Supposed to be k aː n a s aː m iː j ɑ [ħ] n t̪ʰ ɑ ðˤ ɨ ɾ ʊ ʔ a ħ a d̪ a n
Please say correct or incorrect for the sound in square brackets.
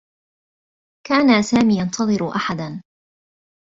incorrect